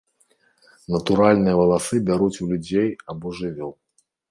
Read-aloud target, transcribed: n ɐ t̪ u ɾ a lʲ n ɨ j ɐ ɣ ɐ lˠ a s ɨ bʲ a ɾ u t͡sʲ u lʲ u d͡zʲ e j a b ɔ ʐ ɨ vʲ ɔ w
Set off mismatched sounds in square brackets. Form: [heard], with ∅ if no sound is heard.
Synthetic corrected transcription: n ɐ t̪ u ɾ a lʲ n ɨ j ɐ [v] ɐ lˠ a s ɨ bʲ a ɾ u t͡sʲ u lʲ u d͡zʲ e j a b ɔ ʐ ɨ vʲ ɔ w